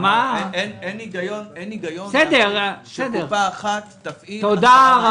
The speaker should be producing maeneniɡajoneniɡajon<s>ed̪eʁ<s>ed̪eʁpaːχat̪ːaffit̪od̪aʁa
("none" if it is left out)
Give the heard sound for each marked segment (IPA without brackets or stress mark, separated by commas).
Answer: s, s